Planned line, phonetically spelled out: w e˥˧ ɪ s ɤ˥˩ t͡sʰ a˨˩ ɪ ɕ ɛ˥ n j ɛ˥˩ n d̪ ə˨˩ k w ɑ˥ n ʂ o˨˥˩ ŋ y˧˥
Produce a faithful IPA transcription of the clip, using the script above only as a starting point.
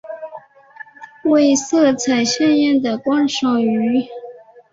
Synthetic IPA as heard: w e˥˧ ɪ s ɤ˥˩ t͡sʰ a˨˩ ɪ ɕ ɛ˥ n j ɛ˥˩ n d̪ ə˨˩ k w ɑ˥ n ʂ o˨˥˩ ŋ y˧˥